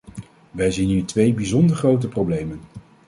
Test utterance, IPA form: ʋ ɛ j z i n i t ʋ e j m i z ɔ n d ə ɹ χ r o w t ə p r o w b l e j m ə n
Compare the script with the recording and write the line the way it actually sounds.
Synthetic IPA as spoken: ʋ ɛ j z i n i t ʋ e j b i z ɔ n d ə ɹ χ r o w t ə p r o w b l e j m ə n